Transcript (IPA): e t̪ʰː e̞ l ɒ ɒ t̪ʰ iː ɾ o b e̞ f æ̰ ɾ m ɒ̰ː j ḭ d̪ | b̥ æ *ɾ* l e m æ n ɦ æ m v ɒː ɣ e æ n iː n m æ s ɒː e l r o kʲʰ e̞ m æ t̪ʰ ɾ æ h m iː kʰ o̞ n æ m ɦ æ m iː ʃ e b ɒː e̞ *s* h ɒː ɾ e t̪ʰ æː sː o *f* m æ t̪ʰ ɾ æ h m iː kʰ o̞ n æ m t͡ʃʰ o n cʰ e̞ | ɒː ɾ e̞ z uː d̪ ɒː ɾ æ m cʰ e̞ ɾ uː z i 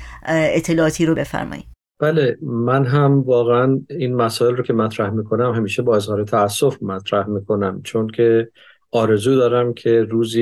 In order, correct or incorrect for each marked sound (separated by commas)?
incorrect, incorrect, correct